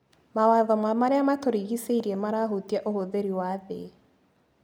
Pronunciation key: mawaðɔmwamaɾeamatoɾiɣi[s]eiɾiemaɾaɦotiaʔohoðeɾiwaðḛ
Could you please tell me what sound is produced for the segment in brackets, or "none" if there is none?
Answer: s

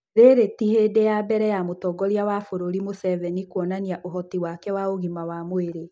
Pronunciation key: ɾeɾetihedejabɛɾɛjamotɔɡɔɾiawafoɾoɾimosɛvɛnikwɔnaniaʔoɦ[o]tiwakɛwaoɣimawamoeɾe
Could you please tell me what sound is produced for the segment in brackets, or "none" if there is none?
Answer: ɔ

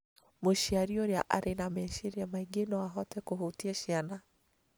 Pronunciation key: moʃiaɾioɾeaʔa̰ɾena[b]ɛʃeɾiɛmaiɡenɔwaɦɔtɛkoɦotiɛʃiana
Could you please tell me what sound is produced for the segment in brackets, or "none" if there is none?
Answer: m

